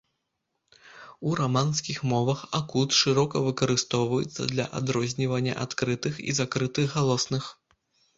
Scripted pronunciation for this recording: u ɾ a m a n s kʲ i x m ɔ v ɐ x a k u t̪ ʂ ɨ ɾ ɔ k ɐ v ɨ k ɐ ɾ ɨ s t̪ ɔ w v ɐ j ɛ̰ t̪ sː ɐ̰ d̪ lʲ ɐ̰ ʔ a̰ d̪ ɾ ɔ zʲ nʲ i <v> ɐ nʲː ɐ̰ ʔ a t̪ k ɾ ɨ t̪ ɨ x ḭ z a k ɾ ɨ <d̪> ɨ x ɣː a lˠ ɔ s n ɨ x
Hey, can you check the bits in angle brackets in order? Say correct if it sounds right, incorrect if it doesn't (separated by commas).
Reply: correct, incorrect